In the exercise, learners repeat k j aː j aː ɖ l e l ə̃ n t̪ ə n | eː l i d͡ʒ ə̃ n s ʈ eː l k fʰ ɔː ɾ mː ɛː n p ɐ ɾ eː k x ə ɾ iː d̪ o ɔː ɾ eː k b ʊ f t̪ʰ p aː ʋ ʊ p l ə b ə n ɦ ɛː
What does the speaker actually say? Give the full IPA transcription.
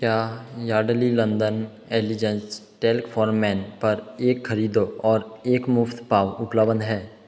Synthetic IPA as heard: k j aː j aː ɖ l i l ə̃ n d̪ ə n | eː l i d͡ʒ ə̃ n s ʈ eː l k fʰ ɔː ɾ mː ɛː n p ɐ ɾ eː k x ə ɾ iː d̪ o ɔː ɾ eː k m ʊ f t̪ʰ p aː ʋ ʊ p l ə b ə n ɦ ɛː